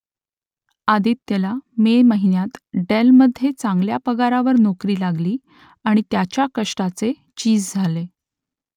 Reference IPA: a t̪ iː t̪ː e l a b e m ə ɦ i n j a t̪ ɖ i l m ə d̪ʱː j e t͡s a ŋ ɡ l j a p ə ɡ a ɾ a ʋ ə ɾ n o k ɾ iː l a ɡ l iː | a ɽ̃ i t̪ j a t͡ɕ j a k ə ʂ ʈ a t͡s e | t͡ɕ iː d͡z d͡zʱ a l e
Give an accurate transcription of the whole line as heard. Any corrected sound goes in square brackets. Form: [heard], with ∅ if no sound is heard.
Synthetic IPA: a [d̪] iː t̪ː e l a [m] e m ə ɦ i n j a t̪ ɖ [e] l m ə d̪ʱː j e t͡s a ŋ ɡ l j a p ə ɡ a ɾ a ʋ ə ɾ n o k ɾ iː l a ɡ l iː | a ɽ̃ i t̪ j a t͡ɕ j a k ə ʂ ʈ a t͡s e | t͡ɕ iː d͡z d͡zʱ a l e